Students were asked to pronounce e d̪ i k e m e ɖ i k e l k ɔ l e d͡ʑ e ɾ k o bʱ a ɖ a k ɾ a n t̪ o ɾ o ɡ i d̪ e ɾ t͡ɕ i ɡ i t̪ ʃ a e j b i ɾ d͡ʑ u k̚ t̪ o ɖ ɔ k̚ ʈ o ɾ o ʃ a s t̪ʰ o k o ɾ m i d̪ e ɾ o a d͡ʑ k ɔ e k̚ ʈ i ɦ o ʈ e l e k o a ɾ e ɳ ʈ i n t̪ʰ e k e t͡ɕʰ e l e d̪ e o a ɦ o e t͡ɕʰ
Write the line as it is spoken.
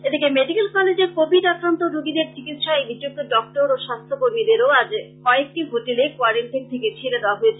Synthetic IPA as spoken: e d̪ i k e m e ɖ i k e l k ɔ l e d͡ʑ e ɾ k o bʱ i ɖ a k ɾ a n t̪ o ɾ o ɡ i d̪ e ɾ t͡ɕ i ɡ i t̪ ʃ a e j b i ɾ d͡ʑ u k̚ t̪ o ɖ ɔ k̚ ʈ o ɾ o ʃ a s t̪ʰ o k o ɾ m i d̪ e ɾ o a d͡ʑ k ɔ e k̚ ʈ i ɦ o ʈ e l e k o a ɾ e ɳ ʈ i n t̪ʰ e k e t͡ɕʰ e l e d̪ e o a ɦ o e t͡ɕʰ